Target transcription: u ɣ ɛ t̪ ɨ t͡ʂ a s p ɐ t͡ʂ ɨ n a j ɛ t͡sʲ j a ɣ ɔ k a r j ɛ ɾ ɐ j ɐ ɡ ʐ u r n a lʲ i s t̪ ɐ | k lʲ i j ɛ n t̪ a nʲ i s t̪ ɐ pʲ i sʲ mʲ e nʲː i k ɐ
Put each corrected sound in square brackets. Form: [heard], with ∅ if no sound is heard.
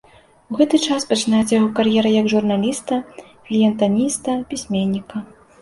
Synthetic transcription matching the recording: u ɣ ɛ t̪ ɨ t͡ʂ a s p ɐ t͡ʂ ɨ n a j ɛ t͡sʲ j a ɣ ɔ k a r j ɛ ɾ ɐ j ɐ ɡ ʐ u r n a lʲ i s t̪ ɐ | k lʲ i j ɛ n t̪ a nʲ i s t̪ ɐ pʲ i sʲ mʲ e nʲː i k ɐ